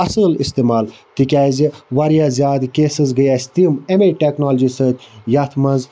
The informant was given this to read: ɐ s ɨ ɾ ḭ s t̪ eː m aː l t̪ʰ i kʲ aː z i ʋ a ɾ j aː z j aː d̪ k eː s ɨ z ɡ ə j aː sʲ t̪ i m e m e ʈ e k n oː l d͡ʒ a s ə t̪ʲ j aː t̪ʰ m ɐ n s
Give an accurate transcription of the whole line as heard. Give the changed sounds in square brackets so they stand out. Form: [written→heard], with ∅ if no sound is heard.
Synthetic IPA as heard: ɐ s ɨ [ɾ→l] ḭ s t̪ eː m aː l [t̪ʰ→t̪] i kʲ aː z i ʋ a ɾ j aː z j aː d̪ k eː s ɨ z ɡ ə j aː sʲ t̪ i m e m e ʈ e k n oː l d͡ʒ [a→i] s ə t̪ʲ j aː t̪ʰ m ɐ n [s→z]